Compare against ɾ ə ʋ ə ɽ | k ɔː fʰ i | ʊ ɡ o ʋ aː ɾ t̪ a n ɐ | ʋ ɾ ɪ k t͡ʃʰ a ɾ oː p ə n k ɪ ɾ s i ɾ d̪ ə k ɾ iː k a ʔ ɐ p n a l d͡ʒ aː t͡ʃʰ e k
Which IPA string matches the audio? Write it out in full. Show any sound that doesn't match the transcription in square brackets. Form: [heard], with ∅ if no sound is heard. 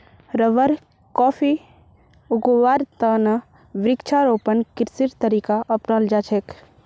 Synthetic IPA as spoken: ɾ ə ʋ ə [ɾ] | k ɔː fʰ i | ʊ ɡ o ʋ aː ɾ t̪ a n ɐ | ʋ ɾ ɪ k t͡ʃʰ a ɾ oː p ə n k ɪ ɾ s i ɾ [t̪] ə [∅] ɾ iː k a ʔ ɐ p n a l d͡ʒ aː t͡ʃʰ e k